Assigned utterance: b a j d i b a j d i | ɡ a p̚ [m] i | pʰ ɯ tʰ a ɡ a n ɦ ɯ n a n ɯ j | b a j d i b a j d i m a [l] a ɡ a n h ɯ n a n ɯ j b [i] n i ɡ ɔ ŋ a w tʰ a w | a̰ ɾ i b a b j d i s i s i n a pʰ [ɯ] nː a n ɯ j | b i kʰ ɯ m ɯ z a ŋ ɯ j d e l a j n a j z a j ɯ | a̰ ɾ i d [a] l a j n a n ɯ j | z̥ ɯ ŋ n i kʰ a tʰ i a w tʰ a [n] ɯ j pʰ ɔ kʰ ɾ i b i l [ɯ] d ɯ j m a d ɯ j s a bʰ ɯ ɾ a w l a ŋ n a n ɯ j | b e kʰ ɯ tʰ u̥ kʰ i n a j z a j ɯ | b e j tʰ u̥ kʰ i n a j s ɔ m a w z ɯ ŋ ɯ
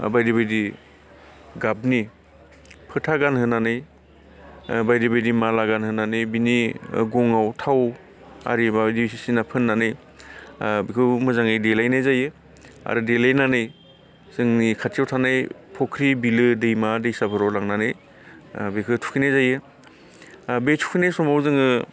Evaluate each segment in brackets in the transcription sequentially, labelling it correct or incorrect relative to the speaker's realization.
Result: incorrect: n, correct, correct, correct, incorrect: e, correct, correct

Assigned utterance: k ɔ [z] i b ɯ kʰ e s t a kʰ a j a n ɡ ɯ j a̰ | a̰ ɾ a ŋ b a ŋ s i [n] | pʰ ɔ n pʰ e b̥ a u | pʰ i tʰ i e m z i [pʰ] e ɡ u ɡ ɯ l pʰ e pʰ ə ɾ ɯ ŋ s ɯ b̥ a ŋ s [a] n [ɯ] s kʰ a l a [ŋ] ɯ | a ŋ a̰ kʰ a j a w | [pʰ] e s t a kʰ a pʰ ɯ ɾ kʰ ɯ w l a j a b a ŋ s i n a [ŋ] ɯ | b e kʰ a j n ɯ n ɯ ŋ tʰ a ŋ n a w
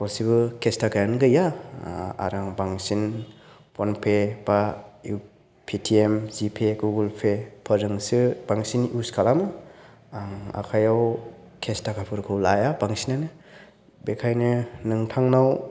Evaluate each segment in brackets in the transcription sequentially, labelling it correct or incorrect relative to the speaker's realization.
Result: incorrect: s, correct, correct, incorrect: i, incorrect: u, incorrect: m, incorrect: kʰ, incorrect: n

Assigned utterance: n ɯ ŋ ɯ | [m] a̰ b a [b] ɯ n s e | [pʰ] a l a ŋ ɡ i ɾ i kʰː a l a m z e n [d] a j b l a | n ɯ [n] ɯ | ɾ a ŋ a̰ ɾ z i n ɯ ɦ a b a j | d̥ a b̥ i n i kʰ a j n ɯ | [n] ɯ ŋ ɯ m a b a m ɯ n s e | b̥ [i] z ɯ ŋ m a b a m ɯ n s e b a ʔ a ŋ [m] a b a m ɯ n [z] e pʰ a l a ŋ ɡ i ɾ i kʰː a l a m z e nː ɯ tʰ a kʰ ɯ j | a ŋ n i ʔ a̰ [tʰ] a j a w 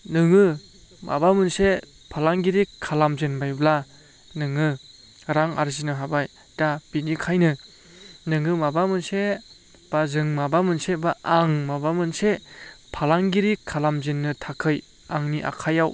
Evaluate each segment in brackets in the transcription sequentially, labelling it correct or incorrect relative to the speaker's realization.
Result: correct, incorrect: m, correct, incorrect: b, incorrect: ŋ, correct, incorrect: a, correct, incorrect: s, incorrect: kʰ

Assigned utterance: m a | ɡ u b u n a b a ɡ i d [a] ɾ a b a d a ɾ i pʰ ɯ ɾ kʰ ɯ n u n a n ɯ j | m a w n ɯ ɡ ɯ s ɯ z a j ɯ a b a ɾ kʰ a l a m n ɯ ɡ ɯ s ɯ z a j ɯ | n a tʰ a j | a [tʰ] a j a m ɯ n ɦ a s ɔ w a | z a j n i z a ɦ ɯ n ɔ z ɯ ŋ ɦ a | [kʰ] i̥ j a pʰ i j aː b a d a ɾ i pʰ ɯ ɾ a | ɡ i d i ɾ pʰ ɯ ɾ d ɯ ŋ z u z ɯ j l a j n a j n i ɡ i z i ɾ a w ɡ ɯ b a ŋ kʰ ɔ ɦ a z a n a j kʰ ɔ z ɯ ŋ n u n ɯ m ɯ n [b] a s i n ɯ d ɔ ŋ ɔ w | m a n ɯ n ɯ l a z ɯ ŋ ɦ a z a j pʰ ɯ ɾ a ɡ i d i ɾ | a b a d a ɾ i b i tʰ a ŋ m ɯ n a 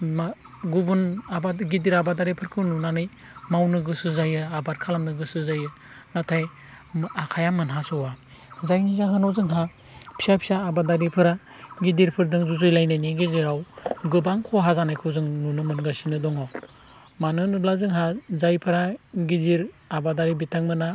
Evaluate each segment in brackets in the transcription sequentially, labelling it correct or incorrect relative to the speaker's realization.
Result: incorrect: i, incorrect: kʰ, incorrect: pʰ, incorrect: ɡ

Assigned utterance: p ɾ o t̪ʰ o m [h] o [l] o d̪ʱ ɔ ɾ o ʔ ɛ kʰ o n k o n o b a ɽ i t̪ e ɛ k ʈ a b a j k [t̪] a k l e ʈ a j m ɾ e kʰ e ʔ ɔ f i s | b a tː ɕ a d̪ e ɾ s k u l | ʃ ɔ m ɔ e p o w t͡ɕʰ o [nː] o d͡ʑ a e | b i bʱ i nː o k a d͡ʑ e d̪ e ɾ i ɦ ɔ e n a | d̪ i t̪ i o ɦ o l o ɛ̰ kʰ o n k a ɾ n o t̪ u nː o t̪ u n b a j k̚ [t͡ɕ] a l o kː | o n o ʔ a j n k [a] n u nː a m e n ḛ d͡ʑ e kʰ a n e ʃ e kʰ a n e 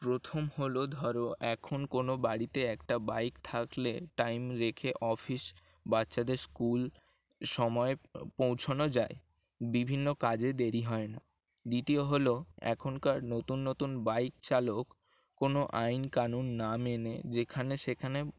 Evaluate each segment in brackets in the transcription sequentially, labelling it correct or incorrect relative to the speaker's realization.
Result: correct, correct, incorrect: t̪ʰ, incorrect: n, correct, correct

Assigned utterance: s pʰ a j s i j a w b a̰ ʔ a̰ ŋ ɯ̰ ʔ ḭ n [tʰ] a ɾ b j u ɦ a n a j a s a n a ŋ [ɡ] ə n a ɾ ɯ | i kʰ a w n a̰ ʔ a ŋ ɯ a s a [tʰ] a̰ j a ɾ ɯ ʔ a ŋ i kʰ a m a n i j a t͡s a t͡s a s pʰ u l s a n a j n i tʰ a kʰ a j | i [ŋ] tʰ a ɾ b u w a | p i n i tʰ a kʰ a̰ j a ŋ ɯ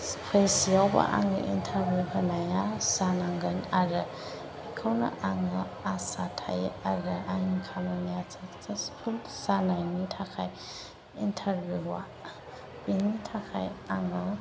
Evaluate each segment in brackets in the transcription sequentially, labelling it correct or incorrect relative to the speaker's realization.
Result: correct, correct, correct, incorrect: n

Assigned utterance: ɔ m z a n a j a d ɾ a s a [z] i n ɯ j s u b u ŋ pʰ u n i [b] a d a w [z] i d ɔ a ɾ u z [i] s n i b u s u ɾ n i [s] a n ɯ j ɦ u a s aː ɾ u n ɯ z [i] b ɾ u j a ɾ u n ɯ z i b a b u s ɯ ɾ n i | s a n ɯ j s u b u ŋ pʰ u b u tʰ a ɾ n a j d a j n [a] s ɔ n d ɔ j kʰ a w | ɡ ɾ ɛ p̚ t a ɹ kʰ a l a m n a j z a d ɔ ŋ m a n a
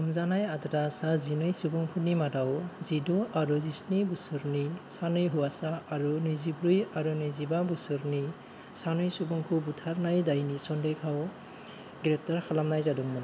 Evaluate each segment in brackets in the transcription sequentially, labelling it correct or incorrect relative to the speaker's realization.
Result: correct, incorrect: m, correct, correct, correct, correct, incorrect: i

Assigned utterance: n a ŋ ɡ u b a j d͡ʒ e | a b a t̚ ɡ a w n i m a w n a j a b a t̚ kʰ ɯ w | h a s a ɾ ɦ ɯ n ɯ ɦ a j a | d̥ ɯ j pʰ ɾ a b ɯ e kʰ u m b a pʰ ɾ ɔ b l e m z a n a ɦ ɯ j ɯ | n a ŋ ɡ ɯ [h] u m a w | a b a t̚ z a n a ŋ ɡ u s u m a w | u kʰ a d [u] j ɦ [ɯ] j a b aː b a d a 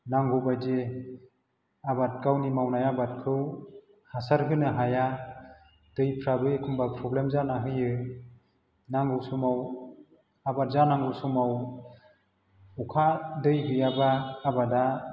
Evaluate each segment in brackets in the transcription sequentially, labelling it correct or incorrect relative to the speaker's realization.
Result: incorrect: s, incorrect: ɯ, correct

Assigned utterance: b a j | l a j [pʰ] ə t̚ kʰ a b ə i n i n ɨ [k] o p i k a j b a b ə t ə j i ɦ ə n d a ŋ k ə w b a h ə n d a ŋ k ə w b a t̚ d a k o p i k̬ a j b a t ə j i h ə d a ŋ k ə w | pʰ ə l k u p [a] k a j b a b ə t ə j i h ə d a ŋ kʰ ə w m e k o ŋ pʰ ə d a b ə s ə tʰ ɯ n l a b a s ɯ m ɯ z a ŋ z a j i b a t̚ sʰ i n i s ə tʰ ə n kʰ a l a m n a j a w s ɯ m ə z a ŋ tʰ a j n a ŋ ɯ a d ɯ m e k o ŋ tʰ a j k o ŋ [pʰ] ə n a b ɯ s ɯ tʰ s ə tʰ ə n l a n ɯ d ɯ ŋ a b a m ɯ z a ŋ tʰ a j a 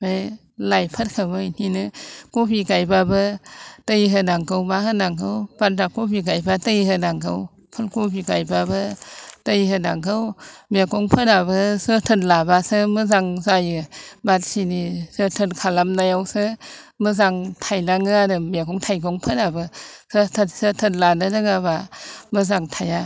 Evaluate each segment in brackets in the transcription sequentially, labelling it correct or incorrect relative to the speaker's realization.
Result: correct, correct, incorrect: i, correct

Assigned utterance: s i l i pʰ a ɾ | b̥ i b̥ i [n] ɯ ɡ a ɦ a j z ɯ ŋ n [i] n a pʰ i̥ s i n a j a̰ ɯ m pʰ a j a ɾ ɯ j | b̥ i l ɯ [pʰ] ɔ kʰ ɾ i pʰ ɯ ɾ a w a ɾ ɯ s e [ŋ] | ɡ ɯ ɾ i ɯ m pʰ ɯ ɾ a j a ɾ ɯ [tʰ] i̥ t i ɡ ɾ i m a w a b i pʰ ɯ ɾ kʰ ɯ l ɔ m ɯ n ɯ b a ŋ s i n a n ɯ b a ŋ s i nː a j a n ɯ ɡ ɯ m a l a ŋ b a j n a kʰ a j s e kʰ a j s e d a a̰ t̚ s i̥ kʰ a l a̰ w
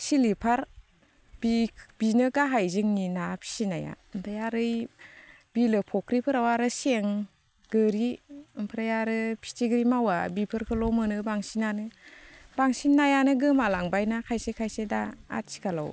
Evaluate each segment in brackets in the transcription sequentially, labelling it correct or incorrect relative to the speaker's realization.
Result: correct, correct, correct, correct, incorrect: pʰ

